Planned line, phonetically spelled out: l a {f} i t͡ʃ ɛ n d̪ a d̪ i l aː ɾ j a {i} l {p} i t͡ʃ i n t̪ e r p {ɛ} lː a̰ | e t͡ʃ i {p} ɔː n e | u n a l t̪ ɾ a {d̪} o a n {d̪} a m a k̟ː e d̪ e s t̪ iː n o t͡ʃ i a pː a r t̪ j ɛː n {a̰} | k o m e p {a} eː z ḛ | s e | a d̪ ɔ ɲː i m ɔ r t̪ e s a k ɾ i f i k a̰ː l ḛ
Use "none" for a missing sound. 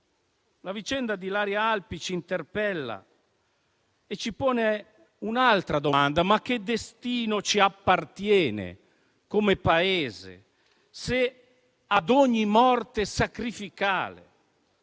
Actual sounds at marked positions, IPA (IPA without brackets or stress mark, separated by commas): v, a, p, ɛ, p, d̪, d̪, ḛ, a